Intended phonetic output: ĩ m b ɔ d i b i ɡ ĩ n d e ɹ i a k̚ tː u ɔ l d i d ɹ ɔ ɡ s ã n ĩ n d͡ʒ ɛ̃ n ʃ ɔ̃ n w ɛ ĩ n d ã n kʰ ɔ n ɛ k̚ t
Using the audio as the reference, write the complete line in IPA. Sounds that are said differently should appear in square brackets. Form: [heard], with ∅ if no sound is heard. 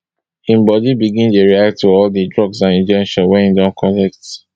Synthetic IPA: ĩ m b ɔ d i b i ɡ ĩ n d e ɹ i a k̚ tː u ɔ l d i d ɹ ɔ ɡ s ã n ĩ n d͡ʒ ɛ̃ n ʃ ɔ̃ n w ɛ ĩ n d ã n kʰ ɔ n ɛ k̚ t